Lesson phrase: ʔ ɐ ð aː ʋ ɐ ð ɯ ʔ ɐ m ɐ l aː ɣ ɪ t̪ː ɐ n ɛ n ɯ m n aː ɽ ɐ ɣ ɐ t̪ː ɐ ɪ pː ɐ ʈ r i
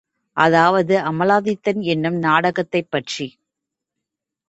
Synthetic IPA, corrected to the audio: ʔ ɐ ð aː ʋ ɐ ð ɯ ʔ ɐ m ɐ l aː ð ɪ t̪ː ɐ n ɛ nː ɯ m n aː ɽ ɐ ɣ ɐ t̪ː ɐ ɪ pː ɐ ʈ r i